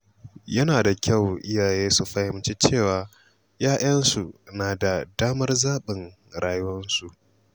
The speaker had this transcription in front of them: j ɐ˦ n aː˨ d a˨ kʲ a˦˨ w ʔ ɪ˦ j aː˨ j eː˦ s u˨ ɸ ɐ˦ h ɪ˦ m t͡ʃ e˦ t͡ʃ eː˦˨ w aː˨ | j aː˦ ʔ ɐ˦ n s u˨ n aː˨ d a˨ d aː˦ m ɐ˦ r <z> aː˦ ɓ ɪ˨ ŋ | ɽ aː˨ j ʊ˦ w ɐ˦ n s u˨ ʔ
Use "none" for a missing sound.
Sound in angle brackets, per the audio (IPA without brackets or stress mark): z